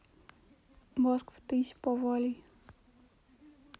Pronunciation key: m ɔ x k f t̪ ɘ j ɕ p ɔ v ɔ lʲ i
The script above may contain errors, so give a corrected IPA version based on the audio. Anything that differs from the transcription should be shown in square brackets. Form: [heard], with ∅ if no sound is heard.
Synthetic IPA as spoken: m ɔ [s] k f t̪ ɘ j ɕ p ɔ v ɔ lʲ i

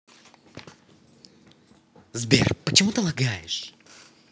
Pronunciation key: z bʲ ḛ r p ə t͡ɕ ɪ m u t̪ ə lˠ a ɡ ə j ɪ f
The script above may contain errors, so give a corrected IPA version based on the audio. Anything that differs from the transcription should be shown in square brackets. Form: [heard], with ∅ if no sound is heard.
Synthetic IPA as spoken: z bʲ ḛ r p ə t͡ɕ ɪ m u t̪ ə lˠ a ɡ [a] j ɪ [ʂ]

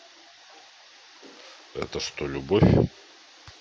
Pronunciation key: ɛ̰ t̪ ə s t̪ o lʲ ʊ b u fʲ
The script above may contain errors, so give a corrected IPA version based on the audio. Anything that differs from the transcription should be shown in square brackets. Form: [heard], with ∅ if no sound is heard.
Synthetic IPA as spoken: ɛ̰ t̪ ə [ʂ] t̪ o lʲ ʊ b [o] fʲ

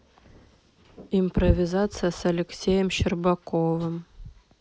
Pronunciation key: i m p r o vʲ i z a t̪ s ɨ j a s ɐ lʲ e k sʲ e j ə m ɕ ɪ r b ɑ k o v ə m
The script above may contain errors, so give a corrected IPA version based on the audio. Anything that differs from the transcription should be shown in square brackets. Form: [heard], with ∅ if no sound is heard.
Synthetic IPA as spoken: i m p r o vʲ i z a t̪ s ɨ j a s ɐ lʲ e k sʲ e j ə m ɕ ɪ r b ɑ k o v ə m

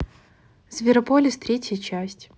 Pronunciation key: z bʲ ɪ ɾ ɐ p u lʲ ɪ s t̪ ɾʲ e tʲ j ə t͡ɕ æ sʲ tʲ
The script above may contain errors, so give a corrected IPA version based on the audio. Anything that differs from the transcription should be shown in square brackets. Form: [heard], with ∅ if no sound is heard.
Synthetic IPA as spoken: z [vʲ] ɪ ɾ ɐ p [o] lʲ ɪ s t̪ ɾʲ e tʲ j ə t͡ɕ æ sʲ tʲ

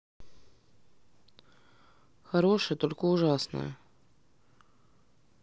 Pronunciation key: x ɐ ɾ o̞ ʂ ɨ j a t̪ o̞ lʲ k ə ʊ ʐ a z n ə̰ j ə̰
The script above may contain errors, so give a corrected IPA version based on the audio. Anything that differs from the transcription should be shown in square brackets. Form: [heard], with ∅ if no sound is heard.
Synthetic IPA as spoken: x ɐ ɾ o̞ ʂ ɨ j [ə] t̪ o̞ lʲ k ə ʊ ʐ a [s] n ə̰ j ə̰

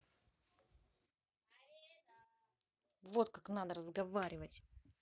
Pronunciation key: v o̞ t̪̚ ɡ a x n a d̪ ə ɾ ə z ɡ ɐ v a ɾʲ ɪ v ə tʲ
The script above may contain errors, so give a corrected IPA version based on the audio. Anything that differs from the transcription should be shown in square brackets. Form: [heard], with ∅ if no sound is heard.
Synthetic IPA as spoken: v o̞ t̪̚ [k] a [k] n a d̪ ə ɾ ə z ɡ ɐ v a ɾʲ ɪ v ə tʲ

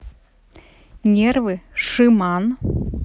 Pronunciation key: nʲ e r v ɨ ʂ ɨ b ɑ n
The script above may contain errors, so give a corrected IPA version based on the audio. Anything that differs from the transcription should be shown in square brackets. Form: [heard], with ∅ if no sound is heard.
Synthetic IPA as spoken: nʲ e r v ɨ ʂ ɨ [m] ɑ n

